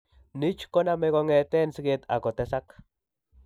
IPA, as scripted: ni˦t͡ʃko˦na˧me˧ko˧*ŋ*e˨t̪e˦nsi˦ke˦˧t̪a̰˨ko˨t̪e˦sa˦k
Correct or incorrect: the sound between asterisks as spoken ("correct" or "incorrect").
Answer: correct